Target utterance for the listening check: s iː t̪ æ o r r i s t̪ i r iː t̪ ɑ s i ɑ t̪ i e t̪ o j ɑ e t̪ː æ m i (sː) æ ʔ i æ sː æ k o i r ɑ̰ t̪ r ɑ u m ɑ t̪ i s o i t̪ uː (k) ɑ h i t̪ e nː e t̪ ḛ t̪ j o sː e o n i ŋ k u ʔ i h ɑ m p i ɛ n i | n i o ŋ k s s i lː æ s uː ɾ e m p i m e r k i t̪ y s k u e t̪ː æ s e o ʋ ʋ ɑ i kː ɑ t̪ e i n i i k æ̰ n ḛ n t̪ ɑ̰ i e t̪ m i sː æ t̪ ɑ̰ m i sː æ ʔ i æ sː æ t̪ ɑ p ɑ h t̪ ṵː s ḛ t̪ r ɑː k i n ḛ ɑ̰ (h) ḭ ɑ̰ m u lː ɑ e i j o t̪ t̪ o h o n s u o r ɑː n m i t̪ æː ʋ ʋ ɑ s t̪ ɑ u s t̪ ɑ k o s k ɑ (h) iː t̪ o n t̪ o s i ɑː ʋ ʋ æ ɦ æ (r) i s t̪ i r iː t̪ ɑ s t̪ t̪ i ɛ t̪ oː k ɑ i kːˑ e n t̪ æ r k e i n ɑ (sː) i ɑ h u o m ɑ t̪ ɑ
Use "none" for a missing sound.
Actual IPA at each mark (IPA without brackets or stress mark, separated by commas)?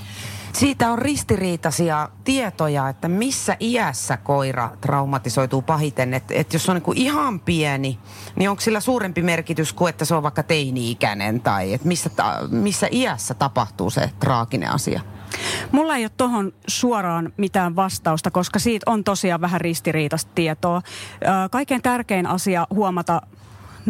sː, p, s, s, r, s